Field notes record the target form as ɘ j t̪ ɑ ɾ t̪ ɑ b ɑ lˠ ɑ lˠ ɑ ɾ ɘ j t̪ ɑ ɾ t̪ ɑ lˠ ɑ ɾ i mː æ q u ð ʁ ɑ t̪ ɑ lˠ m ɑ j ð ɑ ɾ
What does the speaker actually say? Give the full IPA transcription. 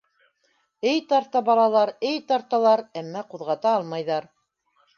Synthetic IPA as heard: ɘ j t̪ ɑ ɾ t̪ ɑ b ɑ lˠ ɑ lˠ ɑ ɾ ɘ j t̪ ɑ ɾ t̪ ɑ lˠ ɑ ɾ æ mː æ q u ð ʁ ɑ t̪ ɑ lˠ m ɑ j ð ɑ ɾ